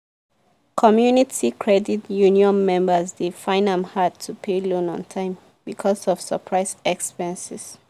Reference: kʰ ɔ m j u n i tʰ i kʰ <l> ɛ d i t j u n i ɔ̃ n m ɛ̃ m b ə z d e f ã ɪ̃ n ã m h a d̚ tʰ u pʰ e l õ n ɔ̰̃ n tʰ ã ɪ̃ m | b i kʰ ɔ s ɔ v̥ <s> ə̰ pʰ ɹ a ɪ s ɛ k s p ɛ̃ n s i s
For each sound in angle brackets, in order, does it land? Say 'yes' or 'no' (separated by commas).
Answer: no, yes